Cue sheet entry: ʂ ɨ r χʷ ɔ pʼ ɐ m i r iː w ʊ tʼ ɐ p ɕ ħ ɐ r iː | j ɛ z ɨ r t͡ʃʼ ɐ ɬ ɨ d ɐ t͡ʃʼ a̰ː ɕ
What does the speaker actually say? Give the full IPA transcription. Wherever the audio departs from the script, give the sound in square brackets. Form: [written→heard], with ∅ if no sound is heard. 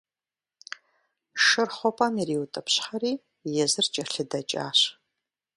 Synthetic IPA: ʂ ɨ r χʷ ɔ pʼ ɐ m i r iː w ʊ tʼ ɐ p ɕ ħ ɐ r iː | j ɛ z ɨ r t͡ʃʼ ɐ ɬ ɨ d ɐ t͡ʃʼ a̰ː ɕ